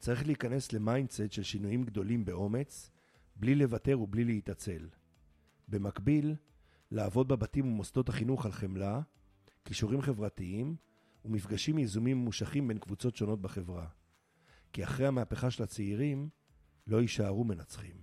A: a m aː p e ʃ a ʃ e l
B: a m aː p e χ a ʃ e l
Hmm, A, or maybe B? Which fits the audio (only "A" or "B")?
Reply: B